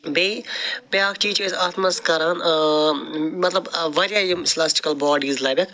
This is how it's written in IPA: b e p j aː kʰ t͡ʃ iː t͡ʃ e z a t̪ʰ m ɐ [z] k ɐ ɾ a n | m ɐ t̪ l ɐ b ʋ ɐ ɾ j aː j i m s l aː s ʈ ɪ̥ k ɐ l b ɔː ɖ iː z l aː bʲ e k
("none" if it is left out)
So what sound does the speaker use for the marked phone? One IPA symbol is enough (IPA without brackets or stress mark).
s